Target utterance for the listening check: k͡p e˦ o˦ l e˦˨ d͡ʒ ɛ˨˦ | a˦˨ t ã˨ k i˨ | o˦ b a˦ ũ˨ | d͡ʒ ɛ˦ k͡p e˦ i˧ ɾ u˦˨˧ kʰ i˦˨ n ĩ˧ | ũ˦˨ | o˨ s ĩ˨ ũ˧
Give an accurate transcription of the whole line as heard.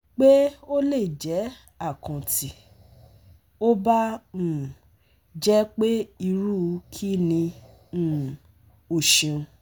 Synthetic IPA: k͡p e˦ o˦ l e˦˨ d͡ʒ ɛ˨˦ | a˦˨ k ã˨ t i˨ | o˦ b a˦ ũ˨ | d͡ʒ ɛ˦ k͡p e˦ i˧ ɾ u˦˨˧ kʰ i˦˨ n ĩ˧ | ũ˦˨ | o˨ ʃ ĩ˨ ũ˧